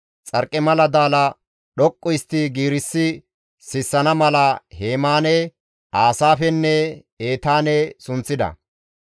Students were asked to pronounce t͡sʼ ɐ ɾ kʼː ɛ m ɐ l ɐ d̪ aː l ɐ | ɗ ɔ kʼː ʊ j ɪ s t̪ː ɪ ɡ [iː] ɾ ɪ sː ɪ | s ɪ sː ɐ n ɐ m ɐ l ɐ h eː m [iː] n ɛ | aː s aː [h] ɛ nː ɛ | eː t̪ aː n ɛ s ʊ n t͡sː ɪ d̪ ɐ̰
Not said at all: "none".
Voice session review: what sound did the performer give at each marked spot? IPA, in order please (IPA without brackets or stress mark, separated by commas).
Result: iː, aː, f